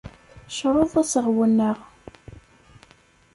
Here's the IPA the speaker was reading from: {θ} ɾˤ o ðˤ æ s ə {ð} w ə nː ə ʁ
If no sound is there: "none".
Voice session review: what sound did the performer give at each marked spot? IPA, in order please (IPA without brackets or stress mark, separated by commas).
ʃ, ʁ